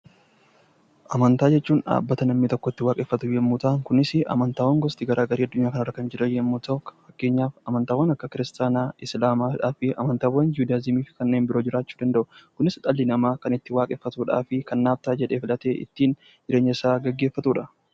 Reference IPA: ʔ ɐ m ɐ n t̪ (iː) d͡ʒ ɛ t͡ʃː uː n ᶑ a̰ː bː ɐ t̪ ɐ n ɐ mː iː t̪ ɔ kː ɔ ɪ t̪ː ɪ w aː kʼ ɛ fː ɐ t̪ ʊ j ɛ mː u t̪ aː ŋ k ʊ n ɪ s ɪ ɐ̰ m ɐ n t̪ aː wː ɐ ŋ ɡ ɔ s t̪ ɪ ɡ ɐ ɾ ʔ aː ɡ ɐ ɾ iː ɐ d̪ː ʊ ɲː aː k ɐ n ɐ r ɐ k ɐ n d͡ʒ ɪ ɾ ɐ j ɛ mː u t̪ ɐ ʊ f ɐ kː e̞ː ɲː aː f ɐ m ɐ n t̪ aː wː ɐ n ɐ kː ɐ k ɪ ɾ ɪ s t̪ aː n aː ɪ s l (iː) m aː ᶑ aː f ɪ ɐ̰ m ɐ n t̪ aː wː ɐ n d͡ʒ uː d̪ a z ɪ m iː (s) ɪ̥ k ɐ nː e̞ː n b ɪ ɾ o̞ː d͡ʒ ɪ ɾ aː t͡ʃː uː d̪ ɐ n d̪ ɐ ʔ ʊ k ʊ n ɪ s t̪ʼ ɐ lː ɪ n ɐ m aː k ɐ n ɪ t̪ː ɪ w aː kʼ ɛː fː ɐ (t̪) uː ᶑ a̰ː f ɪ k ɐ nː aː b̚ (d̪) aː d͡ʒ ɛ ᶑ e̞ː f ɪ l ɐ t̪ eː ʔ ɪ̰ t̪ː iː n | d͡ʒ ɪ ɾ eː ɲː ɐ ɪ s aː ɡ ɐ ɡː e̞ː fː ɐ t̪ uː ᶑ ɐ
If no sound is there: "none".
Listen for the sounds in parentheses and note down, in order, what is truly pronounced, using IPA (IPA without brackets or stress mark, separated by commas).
aː, aː, f, t̪, t̪